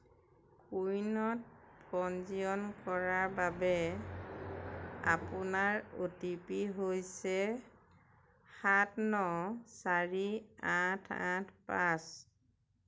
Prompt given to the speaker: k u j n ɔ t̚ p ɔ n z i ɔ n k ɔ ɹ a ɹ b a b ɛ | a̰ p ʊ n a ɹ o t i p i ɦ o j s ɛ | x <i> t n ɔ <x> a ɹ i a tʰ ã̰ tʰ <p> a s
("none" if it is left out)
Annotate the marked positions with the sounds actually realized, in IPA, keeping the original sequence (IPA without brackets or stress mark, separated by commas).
a, s, p